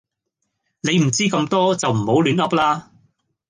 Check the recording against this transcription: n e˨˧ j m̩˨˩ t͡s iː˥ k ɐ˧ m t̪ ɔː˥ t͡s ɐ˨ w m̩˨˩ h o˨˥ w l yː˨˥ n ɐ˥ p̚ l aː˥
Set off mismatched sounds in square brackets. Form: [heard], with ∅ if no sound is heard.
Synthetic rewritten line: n e˨˧ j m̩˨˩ t͡s iː˥ k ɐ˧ m t̪ ɔː˥ t͡s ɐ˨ w m̩˨˩ h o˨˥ w l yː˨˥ n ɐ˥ p̚ l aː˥

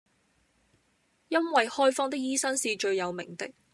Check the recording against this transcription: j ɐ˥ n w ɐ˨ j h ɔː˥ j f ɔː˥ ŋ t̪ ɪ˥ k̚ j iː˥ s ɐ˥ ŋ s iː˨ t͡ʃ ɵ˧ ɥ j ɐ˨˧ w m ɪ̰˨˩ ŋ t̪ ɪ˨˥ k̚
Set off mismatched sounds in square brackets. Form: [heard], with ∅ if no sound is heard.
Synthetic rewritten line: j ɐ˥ n w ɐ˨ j h ɔː˥ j f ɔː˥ ŋ t̪ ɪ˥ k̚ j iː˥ s ɐ˥ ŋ s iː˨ t͡ʃ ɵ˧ ɥ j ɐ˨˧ w m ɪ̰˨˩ ŋ t̪ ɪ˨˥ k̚

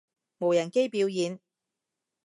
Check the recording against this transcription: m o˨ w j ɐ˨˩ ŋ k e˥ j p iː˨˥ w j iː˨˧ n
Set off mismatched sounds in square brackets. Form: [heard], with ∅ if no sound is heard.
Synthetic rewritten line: m o˨ w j ɐ˨˩ [n] k e˥ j p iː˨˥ w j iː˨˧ n

